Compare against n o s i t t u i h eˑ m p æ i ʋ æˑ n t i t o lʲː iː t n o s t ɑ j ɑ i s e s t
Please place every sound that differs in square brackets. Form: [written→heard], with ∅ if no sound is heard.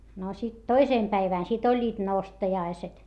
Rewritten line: n o s i t t [u→o] i [h→s] eˑ m p æ i ʋ æˑ n [t→s] i t o lʲː iː t n o s t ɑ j ɑ i s e [s→∅] t